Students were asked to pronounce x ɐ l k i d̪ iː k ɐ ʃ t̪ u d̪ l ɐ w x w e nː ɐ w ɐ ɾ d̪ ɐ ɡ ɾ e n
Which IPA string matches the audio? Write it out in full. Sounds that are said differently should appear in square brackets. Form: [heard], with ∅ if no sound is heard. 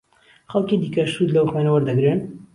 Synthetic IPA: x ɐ l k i d̪ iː k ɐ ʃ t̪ u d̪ l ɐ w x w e [n] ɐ w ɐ ɾ d̪ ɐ ɡ ɾ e n